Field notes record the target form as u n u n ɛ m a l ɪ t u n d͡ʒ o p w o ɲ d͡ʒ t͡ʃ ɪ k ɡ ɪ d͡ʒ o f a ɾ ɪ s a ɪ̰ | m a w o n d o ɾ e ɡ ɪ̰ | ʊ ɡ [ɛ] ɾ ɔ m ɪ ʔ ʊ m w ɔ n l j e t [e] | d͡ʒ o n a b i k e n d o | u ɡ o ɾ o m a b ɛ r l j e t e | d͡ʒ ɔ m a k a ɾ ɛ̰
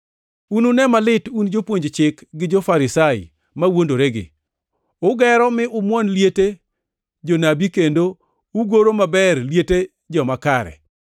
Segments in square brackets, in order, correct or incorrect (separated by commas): correct, correct